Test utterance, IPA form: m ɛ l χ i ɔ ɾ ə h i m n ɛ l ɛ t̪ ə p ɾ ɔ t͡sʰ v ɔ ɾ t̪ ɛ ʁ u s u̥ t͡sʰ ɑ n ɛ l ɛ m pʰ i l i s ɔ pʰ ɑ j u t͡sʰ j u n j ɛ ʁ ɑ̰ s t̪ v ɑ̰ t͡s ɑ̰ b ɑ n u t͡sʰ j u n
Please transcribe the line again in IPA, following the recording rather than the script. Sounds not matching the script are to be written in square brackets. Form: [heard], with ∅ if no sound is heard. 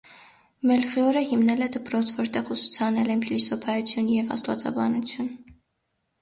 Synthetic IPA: m ɛ l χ i ɔ ɾ ə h i m n ɛ l ɛ [d̪] ə p ɾ ɔ t͡sʰ v ɔ ɾ t̪ ɛ ʁ u s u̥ t͡sʰ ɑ n ɛ l ɛ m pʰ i l i s ɔ pʰ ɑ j u t͡sʰ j u n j ɛ [v] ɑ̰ s t̪ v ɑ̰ t͡s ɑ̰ b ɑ n u t͡sʰ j u n